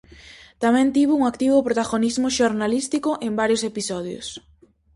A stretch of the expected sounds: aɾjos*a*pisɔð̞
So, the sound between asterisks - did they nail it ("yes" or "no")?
no